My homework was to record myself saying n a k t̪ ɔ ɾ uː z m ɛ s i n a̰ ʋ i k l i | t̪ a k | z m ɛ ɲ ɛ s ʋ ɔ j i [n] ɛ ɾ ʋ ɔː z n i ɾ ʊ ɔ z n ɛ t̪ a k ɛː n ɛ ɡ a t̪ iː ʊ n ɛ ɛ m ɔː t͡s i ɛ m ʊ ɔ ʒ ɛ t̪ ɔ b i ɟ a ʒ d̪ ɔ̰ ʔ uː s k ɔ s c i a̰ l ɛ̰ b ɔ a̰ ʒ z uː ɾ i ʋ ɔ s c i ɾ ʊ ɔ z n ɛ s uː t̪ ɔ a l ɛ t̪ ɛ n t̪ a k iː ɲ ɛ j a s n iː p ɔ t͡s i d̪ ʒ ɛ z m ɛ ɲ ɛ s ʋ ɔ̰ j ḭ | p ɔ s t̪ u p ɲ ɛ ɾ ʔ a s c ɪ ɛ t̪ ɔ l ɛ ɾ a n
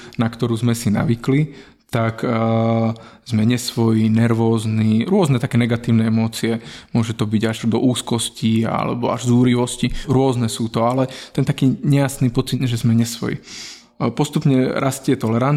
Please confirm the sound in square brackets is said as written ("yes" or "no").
yes